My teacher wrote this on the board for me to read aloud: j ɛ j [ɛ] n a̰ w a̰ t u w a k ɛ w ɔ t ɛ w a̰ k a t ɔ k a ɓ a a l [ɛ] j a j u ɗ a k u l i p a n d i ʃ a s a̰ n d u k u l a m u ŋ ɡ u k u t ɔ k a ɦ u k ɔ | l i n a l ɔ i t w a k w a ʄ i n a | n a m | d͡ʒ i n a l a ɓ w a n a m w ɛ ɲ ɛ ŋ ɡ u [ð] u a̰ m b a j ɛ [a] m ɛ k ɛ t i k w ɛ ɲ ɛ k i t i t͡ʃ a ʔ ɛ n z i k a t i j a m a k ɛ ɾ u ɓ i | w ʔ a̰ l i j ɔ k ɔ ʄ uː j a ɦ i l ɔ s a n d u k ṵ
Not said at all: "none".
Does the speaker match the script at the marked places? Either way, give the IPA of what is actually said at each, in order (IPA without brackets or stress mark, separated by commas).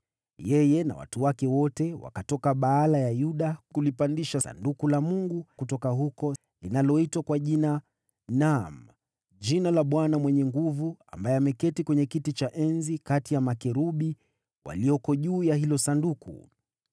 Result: ɛ, a, v, a